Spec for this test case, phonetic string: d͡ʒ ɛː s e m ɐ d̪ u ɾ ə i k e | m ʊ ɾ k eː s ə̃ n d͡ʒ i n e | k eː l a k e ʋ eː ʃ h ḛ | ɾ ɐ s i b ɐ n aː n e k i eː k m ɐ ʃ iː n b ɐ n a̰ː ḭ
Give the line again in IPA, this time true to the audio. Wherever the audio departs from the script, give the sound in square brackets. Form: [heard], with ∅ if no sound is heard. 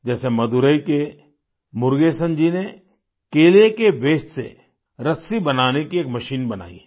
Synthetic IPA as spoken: d͡ʒ ɛː s e m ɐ d̪ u ɾ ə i k e | m ʊ ɾ [ɡ] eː s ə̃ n d͡ʒ i n e | k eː l [e] k e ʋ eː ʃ [s] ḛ | ɾ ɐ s i b ɐ n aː n e k i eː k m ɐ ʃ iː n b ɐ n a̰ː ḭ